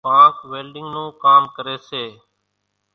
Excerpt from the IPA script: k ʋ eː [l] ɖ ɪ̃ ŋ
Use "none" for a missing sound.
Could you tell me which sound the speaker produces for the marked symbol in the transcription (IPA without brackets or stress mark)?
l